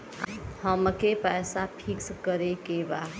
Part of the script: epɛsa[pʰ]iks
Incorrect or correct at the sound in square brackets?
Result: correct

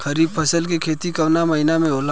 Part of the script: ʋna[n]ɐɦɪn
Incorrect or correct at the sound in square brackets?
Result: incorrect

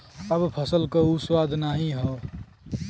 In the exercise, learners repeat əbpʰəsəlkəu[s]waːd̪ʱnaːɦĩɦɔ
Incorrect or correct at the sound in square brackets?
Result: correct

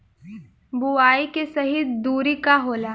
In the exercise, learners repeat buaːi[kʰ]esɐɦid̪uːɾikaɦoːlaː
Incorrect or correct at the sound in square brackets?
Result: incorrect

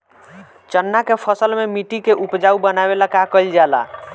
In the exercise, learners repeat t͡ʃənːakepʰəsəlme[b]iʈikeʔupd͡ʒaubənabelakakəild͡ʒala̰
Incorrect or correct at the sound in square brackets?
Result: incorrect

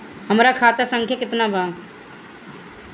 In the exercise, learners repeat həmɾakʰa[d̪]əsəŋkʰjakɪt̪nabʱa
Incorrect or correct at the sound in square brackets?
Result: incorrect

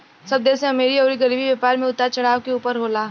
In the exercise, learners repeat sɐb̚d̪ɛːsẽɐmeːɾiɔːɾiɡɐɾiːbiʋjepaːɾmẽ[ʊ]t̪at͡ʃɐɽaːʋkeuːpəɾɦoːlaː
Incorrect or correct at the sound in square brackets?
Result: correct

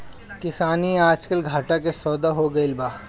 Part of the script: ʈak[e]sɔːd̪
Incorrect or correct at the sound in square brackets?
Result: correct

